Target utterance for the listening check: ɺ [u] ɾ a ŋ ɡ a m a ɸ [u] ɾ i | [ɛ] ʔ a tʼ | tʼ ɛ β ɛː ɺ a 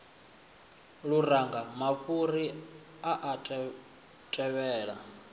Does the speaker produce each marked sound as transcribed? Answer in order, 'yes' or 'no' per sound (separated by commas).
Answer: yes, yes, no